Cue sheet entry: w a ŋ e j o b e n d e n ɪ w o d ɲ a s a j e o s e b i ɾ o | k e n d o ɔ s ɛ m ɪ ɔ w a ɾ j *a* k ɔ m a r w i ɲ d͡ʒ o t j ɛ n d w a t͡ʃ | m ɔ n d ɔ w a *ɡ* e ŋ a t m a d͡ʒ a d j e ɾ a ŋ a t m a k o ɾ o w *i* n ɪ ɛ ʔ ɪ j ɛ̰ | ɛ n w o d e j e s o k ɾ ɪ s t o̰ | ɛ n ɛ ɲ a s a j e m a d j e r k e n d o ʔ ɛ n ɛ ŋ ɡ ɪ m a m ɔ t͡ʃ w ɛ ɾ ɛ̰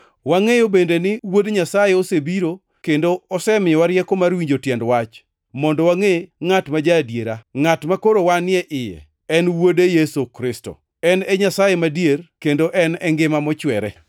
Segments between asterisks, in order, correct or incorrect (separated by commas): incorrect, incorrect, incorrect